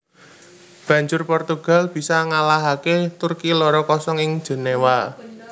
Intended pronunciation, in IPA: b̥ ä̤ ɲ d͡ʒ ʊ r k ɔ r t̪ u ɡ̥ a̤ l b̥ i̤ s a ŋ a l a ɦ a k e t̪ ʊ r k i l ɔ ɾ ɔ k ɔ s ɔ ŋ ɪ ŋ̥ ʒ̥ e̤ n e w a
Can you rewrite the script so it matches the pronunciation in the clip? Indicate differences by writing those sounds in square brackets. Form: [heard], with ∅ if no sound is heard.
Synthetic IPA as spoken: b̥ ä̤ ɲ d͡ʒ ʊ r [p] ɔ r t̪ u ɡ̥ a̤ l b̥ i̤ s a ŋ a l a ɦ a k e t̪ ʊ r k i l ɔ ɾ ɔ k ɔ s ɔ ŋ ɪ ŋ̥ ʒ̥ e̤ n e w a